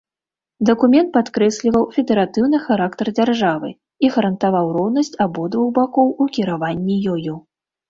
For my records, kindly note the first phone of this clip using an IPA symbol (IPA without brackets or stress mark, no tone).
d̪